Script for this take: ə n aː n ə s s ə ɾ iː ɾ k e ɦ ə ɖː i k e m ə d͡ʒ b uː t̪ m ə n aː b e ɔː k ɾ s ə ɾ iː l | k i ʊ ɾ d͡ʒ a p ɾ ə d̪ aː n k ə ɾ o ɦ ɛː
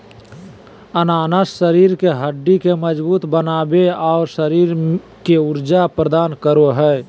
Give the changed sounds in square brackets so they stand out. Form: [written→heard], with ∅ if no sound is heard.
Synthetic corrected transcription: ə n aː n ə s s ə ɾ iː ɾ k e ɦ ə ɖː i k e m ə d͡ʒ b uː t̪ [m→b] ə n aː b e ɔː [k→∅] ɾ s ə ɾ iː [l→ɾ] | k [i→e] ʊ ɾ d͡ʒ a p ɾ ə d̪ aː n k ə ɾ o ɦ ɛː